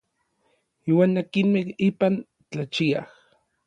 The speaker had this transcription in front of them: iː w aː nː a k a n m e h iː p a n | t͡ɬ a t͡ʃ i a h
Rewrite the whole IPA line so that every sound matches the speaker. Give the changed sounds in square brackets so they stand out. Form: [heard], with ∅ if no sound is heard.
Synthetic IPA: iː w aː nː a k [i] n m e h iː p a n | t͡ɬ a t͡ʃ i a h